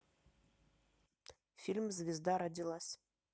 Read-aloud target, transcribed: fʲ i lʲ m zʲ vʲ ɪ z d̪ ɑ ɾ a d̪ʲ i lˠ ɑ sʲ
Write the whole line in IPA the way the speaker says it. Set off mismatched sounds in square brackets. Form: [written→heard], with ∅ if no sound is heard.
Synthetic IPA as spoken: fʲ i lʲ m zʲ vʲ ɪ z d̪ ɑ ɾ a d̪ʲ i lˠ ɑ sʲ